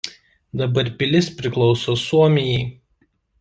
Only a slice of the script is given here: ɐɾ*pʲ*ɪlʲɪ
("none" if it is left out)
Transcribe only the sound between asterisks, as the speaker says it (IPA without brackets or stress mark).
pʲ